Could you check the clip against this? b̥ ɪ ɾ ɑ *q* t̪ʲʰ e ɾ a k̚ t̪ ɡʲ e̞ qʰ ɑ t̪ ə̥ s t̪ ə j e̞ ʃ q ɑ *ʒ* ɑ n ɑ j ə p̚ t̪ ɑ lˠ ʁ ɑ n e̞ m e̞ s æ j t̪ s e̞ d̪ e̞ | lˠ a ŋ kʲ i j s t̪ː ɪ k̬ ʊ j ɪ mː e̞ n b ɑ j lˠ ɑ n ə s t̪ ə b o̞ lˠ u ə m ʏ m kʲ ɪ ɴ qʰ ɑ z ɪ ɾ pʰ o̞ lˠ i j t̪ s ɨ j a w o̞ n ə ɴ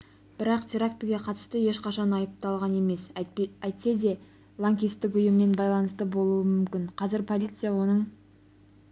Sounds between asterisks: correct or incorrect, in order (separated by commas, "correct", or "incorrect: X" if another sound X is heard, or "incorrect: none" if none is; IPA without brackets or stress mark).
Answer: correct, incorrect: ʃ